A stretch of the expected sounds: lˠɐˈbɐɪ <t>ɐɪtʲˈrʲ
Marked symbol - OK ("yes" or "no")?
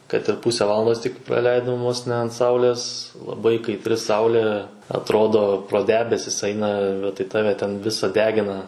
no